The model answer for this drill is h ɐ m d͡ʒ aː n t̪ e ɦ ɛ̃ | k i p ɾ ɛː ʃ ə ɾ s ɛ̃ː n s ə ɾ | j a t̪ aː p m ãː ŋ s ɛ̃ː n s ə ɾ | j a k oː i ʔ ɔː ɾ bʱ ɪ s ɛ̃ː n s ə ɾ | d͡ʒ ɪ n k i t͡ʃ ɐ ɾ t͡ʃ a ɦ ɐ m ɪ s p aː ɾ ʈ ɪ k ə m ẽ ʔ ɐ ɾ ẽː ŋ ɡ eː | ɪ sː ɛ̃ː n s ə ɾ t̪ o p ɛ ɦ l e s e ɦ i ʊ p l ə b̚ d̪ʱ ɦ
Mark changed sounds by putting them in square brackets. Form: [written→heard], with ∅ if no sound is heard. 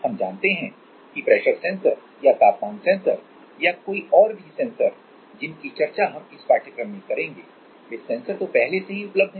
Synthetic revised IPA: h ɐ m d͡ʒ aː n t̪ e ɦ ɛ̃ | k i p ɾ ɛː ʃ ə ɾ s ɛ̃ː n s ə ɾ | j a t̪ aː p m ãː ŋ s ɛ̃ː n s ə ɾ | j a k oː i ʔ ɔː ɾ bʱ [ɪ→i] s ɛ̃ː n s ə ɾ | d͡ʒ ɪ n k i t͡ʃ ɐ ɾ t͡ʃ a ɦ ɐ m ɪ s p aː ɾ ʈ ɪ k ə m ẽ [ʔ→k] ɐ ɾ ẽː ŋ ɡ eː | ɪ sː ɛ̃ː n s ə ɾ t̪ o p ɛ ɦ l e s e ɦ i ʊ p l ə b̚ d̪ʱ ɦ